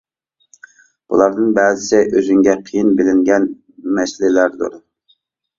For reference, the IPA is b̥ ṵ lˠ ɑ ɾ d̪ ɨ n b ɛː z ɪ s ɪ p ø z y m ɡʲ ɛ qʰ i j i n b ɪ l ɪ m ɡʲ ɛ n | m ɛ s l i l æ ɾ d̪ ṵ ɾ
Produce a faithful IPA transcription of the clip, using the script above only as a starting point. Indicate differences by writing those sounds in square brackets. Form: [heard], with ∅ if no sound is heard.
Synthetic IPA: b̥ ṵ lˠ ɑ ɾ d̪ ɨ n b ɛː z ɪ s ɪ [ʔ] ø z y [ŋ] ɡʲ ɛ qʰ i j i n b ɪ l ɪ [ŋ] ɡʲ ɛ n | m ɛ s l [ɪ] l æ ɾ d̪ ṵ ɾ